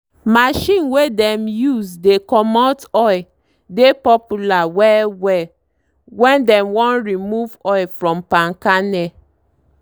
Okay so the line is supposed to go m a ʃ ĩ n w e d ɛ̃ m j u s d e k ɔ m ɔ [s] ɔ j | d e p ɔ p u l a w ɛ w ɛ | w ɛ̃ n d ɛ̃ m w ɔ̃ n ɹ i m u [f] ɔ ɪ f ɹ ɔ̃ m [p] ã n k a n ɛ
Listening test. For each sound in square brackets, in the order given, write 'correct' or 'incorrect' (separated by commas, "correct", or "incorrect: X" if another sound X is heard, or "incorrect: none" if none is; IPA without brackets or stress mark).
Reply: incorrect: t, incorrect: v, correct